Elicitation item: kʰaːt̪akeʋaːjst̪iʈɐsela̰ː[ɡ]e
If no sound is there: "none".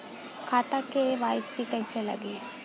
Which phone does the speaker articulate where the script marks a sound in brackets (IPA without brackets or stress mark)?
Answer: ɡ